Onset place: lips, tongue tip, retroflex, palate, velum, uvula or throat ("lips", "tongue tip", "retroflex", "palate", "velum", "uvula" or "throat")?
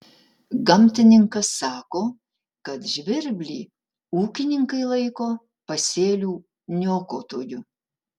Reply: velum